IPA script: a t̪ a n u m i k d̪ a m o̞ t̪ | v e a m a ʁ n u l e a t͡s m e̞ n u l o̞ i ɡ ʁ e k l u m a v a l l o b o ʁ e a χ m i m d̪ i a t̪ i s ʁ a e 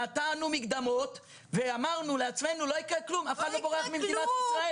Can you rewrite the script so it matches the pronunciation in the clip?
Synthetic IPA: a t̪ a n u m i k d̪ a m o̞ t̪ | v e a m a ʁ n u l e a t͡s m e̞ n u l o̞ i k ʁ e k l u m a f a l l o b o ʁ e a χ m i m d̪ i a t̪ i s ʁ a e

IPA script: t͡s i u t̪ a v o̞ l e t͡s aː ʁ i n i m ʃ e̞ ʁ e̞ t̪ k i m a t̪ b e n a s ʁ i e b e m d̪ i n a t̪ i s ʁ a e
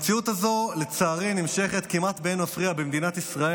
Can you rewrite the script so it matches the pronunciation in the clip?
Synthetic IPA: t͡s i u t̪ a z o̞ l e t͡s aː ʁ i n i m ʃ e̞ χ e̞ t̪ k i m a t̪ b e n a f ʁ i a b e m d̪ i n a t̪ i s ʁ a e

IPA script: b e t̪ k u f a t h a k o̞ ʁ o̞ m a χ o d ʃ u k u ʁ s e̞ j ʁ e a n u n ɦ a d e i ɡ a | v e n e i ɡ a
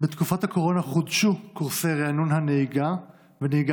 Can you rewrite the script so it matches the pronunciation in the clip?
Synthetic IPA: b e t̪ k u f a t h a k o̞ ʁ o̞ n a χ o d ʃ u k u ʁ s e̞ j ʁ e a n u n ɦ a n e i ɡ a | v e n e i ɡ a

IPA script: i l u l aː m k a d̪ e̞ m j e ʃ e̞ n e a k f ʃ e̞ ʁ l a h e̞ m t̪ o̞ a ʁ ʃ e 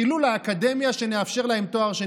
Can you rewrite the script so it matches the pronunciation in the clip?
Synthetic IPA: i l u l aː k a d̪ e̞ m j a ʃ e̞ n e a f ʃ e̞ ʁ l a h e̞ m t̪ o̞ a ʁ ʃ e

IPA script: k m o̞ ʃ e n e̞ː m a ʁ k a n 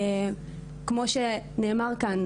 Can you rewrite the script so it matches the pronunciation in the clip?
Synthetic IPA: k m o̞ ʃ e n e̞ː m a ʁ k a n

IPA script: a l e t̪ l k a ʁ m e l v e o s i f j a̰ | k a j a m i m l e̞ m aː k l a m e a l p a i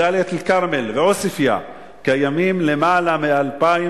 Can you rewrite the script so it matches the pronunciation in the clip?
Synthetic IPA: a l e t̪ l k a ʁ m e l v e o s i f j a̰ | k a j a m i m l e̞ m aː l a m e a l p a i

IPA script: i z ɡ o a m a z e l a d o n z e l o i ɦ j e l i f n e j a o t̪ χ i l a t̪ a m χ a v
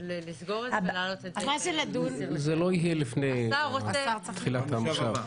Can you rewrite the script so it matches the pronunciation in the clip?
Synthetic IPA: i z ɡ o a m a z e l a d u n z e l o i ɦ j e l i f n e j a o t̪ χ i l a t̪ a m ʃ a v

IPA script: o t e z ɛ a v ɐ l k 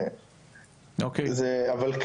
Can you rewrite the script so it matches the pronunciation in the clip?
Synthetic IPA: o k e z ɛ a v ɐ l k

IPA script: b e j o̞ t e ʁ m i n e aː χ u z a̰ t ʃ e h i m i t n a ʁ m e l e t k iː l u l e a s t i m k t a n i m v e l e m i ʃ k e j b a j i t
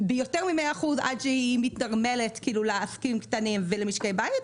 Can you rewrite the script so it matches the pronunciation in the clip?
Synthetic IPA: b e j o̞ t e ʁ m i m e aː χ u z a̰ d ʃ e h i m i t n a ʁ m e l e t k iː l u l e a s k i m k t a n i m v e l e m i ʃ k e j b a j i t

